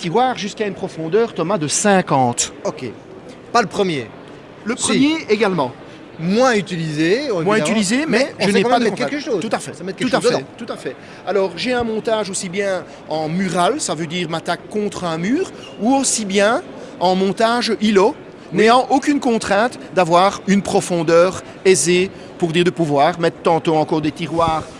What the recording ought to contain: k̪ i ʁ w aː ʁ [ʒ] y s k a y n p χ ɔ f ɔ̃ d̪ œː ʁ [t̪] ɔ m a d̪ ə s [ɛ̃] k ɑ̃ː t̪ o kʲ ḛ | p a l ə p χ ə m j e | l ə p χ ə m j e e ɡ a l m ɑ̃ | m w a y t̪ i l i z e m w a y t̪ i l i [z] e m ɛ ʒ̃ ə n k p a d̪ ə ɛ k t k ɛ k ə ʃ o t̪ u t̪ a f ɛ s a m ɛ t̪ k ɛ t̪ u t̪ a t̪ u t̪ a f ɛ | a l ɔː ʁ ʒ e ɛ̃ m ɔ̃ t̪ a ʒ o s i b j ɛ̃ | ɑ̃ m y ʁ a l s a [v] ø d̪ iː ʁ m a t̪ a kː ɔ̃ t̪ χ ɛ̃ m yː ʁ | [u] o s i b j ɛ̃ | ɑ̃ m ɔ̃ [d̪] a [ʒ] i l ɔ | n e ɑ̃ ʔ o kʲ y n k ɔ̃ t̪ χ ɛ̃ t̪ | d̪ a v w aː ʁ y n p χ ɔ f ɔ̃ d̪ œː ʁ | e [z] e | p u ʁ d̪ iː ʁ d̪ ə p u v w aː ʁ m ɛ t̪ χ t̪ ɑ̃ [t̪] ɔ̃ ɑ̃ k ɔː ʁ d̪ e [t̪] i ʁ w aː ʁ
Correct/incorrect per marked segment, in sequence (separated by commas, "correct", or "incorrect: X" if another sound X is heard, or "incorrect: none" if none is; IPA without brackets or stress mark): correct, correct, correct, correct, correct, correct, incorrect: t̪, correct, correct, correct, correct